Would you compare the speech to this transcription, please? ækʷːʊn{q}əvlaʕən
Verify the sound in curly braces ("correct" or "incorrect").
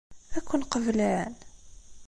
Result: correct